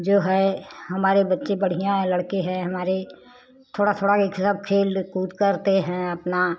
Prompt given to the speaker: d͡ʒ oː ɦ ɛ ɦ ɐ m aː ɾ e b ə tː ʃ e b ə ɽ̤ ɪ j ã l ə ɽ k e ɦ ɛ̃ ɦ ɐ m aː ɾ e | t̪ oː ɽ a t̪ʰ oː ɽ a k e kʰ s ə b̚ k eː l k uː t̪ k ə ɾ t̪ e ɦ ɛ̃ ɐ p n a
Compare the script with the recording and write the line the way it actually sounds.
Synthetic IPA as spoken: d͡ʒ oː ɦ ɛ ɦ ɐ m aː ɾ e b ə tː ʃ e b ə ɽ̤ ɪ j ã l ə ɽ k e ɦ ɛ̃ ɦ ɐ m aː ɾ e | t̪ʰ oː ɽ a t̪ʰ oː ɽ a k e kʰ s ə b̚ kʰ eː l k uː t̪ k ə ɾ t̪ e ɦ ɛ̃ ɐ p n a